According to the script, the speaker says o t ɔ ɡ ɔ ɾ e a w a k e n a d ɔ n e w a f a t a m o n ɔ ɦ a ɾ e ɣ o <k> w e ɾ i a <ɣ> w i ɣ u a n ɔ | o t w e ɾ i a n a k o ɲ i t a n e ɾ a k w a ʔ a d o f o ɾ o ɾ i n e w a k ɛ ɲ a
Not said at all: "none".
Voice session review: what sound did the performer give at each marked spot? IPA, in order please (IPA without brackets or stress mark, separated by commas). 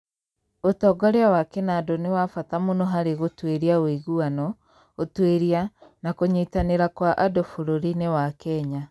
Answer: t, none